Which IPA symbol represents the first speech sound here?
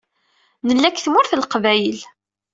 n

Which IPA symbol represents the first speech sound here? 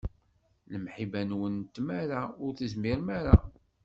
l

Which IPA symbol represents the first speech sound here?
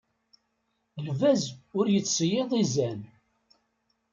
l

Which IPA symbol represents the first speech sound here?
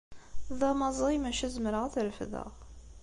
ð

